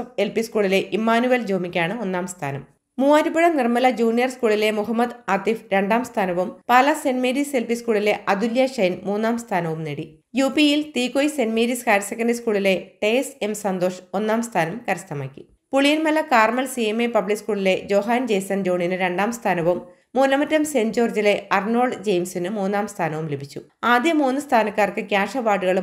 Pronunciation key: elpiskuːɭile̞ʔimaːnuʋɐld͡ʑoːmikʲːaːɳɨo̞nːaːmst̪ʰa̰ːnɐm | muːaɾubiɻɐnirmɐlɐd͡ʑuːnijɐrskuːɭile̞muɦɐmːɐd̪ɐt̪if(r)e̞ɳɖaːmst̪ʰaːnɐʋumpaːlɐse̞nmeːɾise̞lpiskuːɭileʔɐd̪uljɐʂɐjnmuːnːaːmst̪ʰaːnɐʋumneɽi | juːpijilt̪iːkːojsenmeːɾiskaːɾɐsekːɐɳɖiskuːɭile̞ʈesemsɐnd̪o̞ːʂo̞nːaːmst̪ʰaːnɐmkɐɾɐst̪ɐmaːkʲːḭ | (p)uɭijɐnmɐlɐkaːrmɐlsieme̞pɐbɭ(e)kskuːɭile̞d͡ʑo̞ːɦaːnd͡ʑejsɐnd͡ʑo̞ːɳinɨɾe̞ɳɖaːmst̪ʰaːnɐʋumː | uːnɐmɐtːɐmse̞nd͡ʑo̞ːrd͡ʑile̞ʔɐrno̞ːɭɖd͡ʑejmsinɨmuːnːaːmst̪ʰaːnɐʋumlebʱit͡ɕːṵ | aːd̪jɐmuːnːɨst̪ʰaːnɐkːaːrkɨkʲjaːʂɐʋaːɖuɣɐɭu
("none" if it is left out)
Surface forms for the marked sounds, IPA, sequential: ɾ, p, i

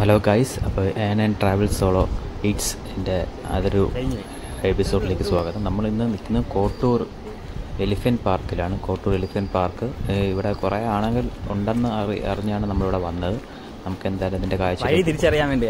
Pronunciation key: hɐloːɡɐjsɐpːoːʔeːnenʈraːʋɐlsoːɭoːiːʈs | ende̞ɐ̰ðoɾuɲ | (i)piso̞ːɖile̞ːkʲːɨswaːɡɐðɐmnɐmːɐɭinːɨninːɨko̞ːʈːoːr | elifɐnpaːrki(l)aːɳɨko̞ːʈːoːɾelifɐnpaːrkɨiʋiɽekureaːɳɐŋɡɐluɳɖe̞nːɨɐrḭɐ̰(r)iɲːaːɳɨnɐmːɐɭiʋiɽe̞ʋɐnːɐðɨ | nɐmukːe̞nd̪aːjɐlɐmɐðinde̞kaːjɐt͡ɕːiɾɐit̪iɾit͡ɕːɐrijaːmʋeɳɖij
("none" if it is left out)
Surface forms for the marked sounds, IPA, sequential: e, l, r

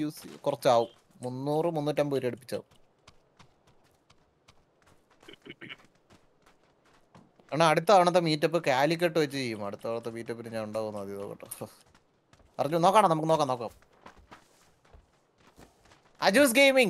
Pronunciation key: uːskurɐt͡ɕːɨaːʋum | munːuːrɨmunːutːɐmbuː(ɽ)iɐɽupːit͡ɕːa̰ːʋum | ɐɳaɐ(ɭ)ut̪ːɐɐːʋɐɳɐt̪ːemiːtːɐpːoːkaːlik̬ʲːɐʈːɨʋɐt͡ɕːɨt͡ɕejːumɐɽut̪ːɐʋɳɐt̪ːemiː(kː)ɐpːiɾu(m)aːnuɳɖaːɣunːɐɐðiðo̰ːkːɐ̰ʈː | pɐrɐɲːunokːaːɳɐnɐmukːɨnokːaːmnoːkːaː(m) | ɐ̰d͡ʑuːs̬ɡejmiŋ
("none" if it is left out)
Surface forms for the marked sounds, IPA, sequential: ɾ, ɽ, tː, ɲ, m

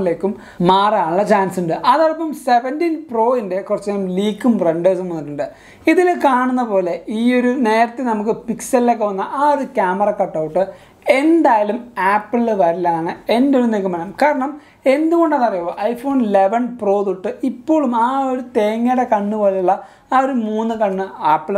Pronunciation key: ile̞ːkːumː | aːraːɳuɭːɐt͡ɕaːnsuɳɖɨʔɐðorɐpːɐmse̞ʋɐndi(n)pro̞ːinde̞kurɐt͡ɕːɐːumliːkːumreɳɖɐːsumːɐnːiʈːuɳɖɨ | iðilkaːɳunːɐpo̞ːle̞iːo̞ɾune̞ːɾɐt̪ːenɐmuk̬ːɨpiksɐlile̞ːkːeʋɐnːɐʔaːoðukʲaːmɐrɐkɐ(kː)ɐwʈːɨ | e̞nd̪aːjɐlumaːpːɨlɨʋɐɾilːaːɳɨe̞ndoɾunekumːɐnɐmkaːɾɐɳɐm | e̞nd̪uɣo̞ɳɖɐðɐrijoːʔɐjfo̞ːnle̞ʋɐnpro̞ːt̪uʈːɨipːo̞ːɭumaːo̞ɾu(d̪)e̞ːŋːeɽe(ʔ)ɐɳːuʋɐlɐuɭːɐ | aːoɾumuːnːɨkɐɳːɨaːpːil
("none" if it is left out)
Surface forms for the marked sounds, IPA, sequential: n, ʈː, t̪, k

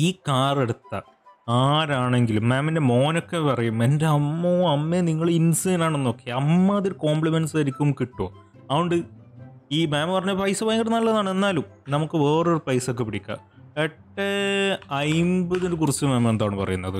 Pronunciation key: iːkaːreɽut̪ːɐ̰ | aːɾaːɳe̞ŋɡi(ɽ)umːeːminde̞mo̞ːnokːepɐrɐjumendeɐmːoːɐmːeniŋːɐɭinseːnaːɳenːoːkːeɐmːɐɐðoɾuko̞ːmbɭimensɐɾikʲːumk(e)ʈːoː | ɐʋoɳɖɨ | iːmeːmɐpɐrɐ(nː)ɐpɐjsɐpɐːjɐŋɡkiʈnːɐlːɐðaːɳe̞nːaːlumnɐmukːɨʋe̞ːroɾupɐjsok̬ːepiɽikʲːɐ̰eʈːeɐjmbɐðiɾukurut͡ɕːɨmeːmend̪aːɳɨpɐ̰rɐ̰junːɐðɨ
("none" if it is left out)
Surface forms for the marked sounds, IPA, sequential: l, i, ɲː

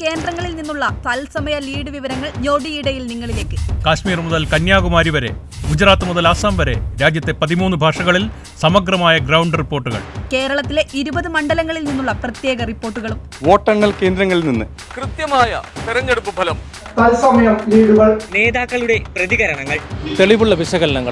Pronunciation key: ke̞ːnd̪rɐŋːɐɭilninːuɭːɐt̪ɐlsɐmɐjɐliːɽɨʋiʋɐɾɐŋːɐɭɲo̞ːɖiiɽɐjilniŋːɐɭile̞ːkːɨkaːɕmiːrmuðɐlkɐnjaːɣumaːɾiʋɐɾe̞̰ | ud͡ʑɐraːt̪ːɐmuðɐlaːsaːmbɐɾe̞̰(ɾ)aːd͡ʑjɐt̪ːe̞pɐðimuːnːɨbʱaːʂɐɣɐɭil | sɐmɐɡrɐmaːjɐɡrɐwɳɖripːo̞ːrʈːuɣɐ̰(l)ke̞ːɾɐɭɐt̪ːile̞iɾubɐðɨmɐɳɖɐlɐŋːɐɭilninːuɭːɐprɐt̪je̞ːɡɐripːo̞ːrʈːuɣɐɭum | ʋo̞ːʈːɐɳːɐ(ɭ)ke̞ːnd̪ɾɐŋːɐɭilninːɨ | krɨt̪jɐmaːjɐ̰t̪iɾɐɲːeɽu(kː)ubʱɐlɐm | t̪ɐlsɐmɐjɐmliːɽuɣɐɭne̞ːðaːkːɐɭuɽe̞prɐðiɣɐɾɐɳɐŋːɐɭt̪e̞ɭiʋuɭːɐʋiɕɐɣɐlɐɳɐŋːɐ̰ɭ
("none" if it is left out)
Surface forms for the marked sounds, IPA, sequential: ɾ, ɭ, l, pː

